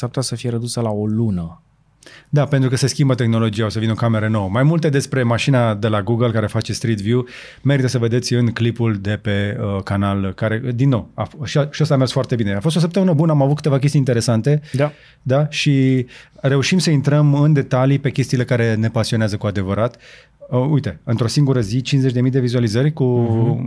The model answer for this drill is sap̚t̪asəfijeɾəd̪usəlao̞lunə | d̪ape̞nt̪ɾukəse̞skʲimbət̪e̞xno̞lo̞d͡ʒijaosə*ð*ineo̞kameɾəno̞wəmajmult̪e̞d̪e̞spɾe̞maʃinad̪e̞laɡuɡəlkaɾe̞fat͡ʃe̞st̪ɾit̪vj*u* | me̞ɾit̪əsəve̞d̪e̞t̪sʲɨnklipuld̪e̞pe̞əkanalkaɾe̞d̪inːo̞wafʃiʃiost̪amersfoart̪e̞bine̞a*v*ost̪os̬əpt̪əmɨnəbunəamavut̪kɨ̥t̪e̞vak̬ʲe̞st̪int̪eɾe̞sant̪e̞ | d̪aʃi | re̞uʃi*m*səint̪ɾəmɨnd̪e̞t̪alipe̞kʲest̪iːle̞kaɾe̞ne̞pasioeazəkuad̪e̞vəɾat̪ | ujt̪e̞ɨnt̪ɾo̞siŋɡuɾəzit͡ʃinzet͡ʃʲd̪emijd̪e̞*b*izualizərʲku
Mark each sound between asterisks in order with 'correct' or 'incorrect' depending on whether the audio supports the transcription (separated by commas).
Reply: incorrect, correct, incorrect, correct, incorrect